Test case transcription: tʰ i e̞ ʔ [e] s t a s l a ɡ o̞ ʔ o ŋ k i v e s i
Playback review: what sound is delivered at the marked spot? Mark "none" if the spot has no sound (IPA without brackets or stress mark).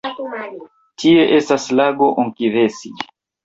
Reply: e